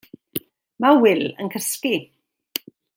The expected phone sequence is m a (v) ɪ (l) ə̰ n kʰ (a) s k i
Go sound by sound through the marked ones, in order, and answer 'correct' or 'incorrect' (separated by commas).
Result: incorrect, correct, incorrect